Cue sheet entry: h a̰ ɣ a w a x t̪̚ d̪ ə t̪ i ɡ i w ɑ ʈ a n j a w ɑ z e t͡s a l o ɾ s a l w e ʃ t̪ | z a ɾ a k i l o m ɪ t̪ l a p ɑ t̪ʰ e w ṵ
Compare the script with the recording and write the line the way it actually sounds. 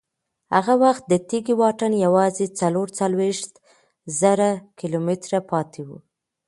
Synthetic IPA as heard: h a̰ ɣ a w a x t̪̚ d̪ ə t̪ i ɡ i w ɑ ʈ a n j a w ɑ z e t͡s a l o ɾ t͡s a l w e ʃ t̪ | z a ɾ a k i l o m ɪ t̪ ɾ a p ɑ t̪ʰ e w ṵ